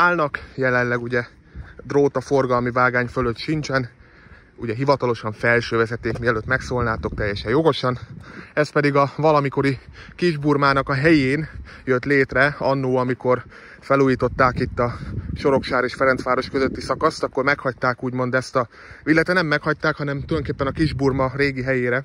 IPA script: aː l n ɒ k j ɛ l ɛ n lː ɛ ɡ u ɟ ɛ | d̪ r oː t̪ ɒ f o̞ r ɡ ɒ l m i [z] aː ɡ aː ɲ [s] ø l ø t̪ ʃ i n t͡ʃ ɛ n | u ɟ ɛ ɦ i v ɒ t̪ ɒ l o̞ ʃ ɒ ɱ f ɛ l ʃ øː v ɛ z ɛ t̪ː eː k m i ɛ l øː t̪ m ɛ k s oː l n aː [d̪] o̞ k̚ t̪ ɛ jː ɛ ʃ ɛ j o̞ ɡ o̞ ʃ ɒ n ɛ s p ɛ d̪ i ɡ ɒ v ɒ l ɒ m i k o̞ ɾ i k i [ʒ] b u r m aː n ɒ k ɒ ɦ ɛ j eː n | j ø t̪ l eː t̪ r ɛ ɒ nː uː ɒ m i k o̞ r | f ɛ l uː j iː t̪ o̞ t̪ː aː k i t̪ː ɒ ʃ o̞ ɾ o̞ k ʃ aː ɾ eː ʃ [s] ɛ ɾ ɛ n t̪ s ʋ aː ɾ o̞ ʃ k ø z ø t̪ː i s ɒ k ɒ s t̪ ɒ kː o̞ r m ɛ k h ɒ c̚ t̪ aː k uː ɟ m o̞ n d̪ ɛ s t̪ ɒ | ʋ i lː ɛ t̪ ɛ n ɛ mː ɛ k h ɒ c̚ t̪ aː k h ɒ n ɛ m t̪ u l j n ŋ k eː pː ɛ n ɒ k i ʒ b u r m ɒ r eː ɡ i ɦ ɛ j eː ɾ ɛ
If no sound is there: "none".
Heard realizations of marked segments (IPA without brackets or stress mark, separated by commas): v, f, t̪, ʒ, f